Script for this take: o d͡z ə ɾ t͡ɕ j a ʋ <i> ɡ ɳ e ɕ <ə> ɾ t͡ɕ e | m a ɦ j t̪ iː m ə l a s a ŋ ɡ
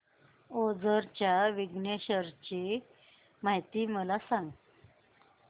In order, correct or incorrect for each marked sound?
correct, correct

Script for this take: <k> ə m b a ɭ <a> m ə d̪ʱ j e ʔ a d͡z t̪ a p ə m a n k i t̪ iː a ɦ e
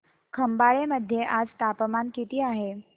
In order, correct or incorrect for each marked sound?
incorrect: kʰ, incorrect: e

